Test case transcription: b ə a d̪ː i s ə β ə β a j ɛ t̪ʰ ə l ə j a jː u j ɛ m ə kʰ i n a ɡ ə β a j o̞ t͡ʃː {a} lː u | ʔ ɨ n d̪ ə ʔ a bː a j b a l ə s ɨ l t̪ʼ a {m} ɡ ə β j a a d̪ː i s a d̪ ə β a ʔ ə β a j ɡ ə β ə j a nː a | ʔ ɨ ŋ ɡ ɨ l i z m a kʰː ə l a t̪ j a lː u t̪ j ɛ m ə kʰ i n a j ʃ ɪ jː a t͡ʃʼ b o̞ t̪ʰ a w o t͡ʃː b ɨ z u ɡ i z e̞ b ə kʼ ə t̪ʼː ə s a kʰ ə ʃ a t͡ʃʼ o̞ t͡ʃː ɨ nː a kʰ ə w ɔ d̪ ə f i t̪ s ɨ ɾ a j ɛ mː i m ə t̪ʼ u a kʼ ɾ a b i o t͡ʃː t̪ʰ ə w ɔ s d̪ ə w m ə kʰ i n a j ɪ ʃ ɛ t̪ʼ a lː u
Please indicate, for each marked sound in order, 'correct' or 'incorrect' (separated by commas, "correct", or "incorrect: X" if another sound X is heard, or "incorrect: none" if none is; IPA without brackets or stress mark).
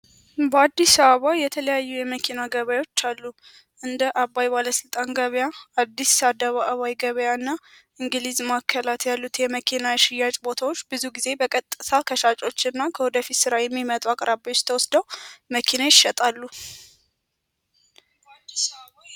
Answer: correct, incorrect: n